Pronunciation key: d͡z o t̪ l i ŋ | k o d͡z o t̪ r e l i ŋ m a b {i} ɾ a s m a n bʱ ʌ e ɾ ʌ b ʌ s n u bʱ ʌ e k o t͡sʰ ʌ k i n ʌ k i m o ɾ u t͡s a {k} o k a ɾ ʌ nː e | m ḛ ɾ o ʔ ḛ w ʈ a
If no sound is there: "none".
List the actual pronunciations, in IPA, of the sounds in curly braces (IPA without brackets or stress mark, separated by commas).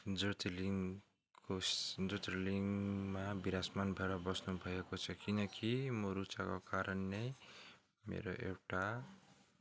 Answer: i, k